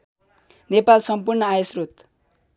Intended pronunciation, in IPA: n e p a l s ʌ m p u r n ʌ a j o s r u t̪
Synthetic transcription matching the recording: n e p a l s ʌ m p u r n ʌ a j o s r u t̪